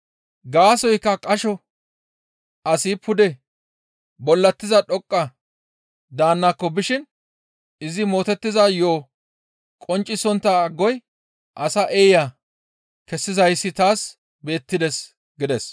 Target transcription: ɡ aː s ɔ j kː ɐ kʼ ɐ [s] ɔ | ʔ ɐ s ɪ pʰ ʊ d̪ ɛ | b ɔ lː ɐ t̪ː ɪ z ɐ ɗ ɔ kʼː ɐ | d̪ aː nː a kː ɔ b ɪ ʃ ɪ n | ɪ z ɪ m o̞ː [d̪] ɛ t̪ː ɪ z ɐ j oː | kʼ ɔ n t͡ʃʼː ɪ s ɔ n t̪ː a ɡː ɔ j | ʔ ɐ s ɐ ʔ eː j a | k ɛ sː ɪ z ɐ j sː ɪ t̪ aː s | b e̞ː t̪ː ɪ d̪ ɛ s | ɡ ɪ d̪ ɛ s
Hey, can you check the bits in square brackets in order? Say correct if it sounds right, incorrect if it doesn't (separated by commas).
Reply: incorrect, incorrect